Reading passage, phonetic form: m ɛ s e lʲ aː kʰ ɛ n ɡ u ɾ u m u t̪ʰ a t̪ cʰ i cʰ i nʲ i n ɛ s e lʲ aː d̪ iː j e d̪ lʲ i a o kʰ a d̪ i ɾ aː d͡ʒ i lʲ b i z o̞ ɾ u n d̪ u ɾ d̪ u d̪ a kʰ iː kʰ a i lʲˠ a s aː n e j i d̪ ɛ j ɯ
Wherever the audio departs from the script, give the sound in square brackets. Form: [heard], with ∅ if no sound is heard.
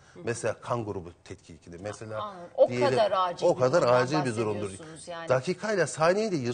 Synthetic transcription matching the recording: m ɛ s e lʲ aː kʰ [a] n ɡ u ɾ u [b] u t̪ʰ [ɛ] t̪ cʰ i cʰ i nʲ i [m] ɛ s e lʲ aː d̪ [i] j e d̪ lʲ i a o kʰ a d̪ [a] ɾ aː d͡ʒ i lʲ b i z o̞ ɾ u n d̪ u ɾ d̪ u d̪ a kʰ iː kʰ a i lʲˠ a s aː n e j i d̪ ɛ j ɯ